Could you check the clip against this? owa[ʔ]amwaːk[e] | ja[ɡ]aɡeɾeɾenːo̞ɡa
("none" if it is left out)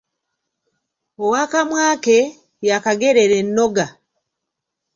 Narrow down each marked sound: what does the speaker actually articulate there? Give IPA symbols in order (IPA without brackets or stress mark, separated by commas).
k, e, k